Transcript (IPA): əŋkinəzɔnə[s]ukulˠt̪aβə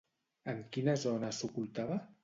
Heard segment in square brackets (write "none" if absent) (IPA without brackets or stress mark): s